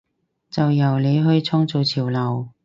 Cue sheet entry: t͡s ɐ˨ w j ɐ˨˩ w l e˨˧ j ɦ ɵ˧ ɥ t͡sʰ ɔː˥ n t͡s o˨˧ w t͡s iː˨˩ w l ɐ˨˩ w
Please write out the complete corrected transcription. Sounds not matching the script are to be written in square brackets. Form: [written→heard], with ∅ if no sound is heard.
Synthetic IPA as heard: t͡s ɐ˨ w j ɐ˨˩ w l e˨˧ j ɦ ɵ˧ ɥ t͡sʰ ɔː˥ [n→ŋ] t͡s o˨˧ w [t͡s→t͡sʰ] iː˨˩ w l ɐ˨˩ w

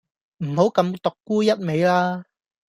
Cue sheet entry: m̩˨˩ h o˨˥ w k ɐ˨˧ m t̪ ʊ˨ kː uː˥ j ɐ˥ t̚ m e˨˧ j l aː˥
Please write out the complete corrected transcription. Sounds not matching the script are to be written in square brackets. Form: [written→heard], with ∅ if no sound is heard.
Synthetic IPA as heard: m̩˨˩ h o˨˥ w k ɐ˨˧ m t̪ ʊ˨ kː uː˥ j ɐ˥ t̚ m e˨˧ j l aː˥

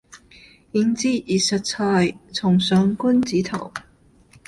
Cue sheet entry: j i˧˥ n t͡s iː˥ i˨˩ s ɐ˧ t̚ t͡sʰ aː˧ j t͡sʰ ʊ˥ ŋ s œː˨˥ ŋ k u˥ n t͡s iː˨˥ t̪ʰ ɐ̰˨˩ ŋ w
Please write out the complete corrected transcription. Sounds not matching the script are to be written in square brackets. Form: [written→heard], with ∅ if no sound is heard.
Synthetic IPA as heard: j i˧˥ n t͡s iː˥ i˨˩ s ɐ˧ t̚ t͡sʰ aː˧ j t͡sʰ [ʊ˥→ʊ˨˩] ŋ s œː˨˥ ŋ k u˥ n t͡s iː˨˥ t̪ʰ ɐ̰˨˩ [ŋ→∅] w

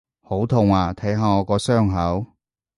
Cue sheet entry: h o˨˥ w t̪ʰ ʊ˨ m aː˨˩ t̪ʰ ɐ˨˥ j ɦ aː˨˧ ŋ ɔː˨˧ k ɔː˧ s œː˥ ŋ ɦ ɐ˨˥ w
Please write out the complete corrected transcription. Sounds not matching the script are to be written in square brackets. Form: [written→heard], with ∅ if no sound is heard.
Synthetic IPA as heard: h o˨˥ w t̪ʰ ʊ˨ [m→ŋ] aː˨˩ t̪ʰ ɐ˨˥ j ɦ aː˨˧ ŋ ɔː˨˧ k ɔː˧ s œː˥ ŋ ɦ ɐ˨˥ w

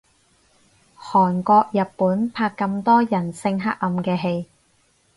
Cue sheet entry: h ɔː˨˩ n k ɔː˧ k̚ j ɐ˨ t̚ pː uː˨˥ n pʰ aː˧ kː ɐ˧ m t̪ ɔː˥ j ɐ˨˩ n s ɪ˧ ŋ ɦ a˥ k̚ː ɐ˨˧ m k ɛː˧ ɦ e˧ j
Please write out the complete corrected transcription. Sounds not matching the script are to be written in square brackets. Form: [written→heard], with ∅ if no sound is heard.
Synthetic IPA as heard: h ɔː˨˩ n k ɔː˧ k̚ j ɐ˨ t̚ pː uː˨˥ n pʰ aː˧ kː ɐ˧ m t̪ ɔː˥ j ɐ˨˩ n s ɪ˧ ŋ ɦ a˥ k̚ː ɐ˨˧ m k ɛː˧ ɦ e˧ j

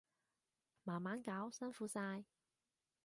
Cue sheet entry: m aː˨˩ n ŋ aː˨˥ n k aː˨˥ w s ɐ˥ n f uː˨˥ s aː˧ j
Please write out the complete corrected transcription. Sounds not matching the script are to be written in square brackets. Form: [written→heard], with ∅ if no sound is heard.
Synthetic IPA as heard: m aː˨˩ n [ŋ→m] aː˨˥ n k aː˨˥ w s ɐ˥ n f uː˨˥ s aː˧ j

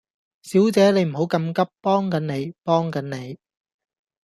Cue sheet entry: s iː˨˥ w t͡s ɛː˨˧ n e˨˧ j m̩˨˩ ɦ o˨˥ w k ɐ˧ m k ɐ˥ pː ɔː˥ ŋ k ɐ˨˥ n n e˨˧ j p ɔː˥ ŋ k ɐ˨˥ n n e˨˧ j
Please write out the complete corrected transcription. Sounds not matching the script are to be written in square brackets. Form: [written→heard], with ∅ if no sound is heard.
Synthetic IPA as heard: s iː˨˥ w t͡s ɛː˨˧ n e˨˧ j m̩˨˩ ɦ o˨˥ w k ɐ˧ m k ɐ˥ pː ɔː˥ ŋ k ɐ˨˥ n n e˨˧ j p ɔː˥ ŋ k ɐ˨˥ n n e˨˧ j

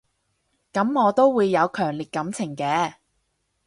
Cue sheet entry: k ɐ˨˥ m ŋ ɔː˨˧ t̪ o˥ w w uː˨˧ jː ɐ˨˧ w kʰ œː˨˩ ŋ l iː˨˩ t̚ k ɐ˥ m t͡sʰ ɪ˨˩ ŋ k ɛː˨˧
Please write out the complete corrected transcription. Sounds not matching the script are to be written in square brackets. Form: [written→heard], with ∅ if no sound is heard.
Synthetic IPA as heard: k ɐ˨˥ m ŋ ɔː˨˧ t̪ o˥ w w uː˨˧ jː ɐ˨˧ w kʰ œː˨˩ ŋ l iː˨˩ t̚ k [ɐ˥→ɐ˨˥] m t͡sʰ ɪ˨˩ ŋ k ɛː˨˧

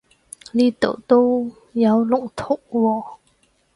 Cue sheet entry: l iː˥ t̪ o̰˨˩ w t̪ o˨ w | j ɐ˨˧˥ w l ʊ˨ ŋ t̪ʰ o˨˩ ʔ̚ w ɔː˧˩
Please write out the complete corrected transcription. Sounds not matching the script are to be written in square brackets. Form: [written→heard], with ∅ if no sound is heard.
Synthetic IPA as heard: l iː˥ t̪ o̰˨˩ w t̪ [o˨→o˥] w | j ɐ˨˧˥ w l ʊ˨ ŋ t̪ʰ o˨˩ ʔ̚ w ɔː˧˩

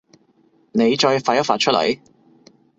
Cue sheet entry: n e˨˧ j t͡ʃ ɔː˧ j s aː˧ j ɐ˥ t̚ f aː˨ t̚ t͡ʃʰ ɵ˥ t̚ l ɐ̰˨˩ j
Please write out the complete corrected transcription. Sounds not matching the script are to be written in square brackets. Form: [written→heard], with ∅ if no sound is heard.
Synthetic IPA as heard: n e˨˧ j t͡ʃ ɔː˧ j [s→f] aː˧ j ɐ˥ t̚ f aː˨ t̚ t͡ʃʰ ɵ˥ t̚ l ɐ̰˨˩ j

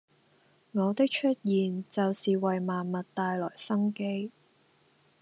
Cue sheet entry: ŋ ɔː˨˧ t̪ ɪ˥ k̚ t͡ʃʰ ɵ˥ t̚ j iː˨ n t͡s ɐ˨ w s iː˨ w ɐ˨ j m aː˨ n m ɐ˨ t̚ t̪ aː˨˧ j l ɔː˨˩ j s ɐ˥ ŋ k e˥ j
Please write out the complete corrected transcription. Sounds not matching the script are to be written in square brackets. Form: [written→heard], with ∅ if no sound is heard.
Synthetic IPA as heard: ŋ ɔː˨˧ t̪ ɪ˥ k̚ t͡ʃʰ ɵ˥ t̚ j iː˨ n t͡s ɐ˨ w s iː˨ w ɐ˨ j m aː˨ n m ɐ˨ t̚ t̪ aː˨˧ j l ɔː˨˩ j s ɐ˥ ŋ k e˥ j

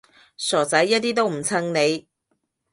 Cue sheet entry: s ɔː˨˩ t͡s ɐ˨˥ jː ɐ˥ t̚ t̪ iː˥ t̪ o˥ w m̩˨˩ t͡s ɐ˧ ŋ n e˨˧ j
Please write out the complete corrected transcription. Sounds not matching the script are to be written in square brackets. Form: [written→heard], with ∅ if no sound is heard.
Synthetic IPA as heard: s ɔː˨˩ t͡s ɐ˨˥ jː ɐ˥ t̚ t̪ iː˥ t̪ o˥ w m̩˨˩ [t͡s→t͡sʰ] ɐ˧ ŋ n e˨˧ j

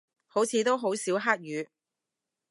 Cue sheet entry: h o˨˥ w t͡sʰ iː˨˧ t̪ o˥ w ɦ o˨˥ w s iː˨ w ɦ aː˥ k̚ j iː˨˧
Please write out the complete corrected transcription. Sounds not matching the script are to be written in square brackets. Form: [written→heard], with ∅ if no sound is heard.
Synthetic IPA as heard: h o˨˥ w t͡sʰ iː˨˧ t̪ o˥ w ɦ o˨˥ w s [iː˨→iː˨˥] w ɦ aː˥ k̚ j [iː˨˧→yː˨˧]

